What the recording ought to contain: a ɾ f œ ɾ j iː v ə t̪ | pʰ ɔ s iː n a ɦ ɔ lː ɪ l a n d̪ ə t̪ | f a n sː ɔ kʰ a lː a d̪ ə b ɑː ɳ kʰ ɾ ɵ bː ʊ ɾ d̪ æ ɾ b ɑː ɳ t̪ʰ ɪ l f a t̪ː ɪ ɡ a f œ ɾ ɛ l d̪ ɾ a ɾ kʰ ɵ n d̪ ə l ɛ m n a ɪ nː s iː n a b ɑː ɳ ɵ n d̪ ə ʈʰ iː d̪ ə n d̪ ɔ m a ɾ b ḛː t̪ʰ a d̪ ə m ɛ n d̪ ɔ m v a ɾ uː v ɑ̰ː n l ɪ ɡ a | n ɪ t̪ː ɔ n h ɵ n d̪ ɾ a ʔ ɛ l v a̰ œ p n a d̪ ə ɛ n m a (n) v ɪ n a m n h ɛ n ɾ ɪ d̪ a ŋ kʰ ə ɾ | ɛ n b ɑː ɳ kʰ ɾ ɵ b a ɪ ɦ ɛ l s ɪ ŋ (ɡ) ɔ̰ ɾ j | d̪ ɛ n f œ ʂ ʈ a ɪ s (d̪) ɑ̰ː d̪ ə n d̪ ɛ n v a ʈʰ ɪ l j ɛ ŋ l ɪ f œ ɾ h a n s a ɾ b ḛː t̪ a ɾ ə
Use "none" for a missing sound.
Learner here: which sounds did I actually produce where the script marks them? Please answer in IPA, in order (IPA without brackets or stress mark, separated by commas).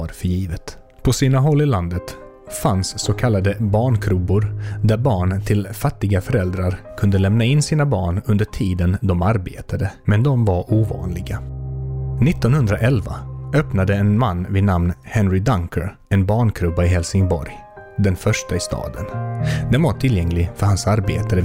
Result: nː, b, t̪